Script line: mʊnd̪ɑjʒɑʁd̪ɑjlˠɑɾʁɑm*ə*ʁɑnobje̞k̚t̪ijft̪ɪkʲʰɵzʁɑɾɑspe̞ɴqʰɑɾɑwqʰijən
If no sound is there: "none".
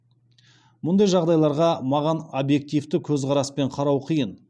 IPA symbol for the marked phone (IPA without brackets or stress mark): ɑ